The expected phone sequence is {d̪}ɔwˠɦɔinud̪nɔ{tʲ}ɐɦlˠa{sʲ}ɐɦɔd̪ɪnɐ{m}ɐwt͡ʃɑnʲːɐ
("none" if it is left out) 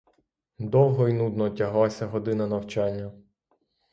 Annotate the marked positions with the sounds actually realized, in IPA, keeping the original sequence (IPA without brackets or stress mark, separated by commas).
d̪, tʲ, sʲ, n